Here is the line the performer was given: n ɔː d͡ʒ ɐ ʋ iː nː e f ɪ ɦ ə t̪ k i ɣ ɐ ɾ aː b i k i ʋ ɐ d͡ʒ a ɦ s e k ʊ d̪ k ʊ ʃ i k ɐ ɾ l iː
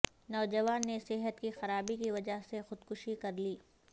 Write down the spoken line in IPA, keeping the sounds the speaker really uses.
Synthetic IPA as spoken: n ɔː d͡ʒ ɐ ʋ aː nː e s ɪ ɦ ə t̪ k i x ɐ ɾ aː b i k i ʋ ɐ d͡ʒ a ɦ s e x ʊ d̪ k ʊ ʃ i k ɐ ɾ l iː